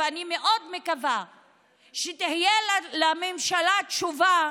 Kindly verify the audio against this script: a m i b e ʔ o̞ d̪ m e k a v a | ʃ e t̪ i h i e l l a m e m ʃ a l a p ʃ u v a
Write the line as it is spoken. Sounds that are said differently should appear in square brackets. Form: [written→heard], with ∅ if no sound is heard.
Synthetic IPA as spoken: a [m→n] i [b→m] e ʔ o̞ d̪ m e k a v a | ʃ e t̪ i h [i→j] e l l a m e m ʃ a l a [p→t] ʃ u v a